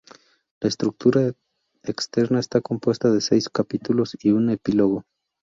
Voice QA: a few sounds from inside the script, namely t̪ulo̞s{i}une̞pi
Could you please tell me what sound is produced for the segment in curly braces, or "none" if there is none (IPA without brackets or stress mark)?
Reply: i